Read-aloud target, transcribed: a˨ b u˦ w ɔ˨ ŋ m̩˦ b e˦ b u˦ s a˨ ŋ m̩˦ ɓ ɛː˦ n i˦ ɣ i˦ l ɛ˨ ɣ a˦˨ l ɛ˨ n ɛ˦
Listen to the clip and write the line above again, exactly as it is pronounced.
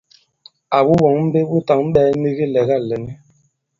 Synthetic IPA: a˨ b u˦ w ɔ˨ ŋ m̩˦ b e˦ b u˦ t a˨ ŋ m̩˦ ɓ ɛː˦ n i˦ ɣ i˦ l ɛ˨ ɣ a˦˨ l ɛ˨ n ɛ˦